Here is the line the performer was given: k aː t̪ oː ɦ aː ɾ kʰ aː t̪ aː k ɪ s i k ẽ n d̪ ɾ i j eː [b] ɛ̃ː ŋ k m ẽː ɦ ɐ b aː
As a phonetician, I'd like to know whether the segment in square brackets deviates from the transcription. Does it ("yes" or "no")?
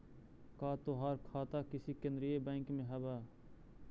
no